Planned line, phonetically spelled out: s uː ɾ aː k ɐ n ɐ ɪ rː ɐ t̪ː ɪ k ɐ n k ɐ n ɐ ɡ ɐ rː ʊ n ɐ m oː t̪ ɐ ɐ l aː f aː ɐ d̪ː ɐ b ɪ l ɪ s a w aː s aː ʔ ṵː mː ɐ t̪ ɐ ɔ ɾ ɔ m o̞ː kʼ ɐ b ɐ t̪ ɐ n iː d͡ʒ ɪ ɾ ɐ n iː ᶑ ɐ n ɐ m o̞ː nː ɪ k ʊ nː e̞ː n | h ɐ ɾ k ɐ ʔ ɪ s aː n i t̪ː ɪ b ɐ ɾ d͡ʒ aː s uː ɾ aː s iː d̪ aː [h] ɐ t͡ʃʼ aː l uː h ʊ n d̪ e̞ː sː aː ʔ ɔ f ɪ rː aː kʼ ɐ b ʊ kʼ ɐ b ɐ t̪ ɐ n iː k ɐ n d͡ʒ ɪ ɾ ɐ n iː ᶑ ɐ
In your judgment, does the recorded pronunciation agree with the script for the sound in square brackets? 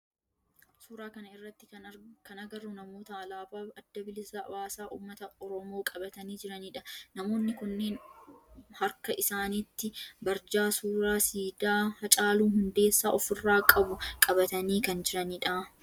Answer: yes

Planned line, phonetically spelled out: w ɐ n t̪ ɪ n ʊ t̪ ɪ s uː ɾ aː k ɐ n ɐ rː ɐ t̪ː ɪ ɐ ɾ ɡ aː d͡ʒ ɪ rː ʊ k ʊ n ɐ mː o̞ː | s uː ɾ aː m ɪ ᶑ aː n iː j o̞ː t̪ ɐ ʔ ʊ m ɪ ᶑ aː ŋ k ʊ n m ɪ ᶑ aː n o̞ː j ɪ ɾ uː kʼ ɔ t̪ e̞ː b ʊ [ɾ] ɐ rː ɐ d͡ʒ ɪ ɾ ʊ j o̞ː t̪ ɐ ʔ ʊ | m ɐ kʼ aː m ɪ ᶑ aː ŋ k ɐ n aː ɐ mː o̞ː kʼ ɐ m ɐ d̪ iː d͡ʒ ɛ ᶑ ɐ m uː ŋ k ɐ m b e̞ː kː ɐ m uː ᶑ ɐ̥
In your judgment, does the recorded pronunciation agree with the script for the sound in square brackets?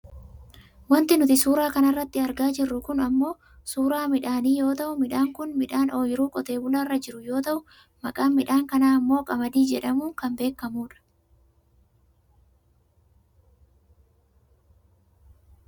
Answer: no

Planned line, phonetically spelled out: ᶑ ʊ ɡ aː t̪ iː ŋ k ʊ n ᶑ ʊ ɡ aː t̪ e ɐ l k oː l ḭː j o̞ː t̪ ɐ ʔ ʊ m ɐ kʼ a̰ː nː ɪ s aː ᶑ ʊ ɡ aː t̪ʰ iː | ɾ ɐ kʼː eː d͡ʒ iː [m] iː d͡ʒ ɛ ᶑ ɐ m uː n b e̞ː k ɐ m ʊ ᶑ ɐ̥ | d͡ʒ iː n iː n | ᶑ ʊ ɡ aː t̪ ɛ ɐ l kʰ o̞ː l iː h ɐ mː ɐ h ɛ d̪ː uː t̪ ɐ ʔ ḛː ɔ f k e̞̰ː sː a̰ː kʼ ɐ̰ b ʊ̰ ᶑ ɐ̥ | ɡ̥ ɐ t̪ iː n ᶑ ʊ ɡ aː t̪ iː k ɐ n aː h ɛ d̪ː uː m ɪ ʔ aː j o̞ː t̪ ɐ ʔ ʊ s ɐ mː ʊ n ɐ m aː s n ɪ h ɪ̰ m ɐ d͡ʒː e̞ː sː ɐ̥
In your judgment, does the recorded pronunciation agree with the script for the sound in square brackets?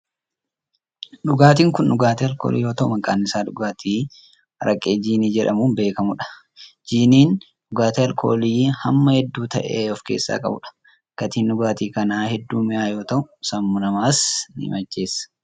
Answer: no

